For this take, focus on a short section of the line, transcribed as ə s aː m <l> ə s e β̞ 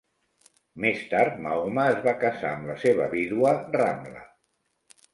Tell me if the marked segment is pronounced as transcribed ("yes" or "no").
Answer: yes